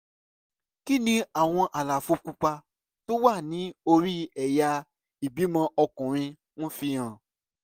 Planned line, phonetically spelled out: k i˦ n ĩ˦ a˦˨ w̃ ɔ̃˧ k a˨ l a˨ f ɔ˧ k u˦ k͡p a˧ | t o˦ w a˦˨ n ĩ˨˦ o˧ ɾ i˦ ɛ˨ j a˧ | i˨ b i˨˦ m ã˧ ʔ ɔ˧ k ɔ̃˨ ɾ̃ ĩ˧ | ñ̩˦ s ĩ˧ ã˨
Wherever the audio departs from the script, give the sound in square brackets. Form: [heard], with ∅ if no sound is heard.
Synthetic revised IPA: k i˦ n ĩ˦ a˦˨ w̃ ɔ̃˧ [ʔ] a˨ l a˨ f [o˧] k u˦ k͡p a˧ | t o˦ w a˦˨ n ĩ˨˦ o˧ ɾ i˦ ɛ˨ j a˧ | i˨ b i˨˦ m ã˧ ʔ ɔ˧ k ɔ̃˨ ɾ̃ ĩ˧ | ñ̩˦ [f] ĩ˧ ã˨